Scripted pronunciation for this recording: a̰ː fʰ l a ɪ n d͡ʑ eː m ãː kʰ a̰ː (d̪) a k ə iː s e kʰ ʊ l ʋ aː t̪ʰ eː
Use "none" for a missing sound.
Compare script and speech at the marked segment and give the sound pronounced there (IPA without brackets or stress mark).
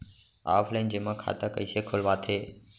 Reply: t̪